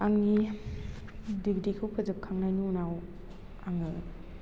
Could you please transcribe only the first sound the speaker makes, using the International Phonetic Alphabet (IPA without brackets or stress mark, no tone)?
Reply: a